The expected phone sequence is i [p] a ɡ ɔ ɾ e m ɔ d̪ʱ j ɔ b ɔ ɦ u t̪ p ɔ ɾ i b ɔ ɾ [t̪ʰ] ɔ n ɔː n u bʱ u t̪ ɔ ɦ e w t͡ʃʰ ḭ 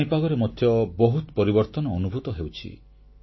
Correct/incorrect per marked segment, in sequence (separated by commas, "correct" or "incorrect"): correct, incorrect